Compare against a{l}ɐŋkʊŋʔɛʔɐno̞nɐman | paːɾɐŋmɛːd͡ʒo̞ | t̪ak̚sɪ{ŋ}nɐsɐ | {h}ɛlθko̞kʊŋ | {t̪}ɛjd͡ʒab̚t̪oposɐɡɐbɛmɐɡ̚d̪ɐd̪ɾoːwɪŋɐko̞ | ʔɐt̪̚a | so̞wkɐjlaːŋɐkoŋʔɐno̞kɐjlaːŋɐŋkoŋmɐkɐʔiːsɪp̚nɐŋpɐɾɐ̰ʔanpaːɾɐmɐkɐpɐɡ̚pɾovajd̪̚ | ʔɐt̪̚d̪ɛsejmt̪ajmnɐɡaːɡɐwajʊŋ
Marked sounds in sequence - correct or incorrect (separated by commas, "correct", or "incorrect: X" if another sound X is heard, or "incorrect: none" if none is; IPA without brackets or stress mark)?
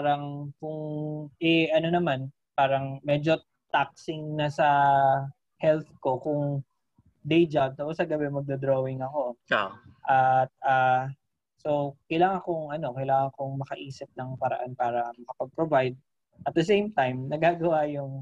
incorrect: ɾ, correct, correct, incorrect: d̪